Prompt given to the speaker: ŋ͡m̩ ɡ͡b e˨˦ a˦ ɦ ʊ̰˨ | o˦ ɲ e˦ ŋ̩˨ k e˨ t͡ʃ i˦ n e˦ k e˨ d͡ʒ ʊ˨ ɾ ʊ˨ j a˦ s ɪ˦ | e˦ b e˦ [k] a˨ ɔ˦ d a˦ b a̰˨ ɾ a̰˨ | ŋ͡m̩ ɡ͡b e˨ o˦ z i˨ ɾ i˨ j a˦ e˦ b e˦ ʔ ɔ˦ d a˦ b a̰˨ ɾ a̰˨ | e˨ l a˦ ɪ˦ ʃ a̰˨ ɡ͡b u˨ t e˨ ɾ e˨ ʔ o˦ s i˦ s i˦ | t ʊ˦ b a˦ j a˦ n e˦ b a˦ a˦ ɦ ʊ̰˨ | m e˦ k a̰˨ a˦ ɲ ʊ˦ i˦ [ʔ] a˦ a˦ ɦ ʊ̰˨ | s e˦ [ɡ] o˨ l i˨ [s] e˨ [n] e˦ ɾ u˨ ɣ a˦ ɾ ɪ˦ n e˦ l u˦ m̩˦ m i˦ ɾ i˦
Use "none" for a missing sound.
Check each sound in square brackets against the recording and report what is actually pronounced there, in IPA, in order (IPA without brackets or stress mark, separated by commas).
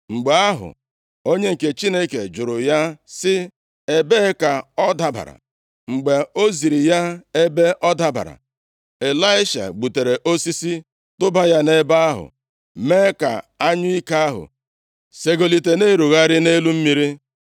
k, k, ɡ, t, n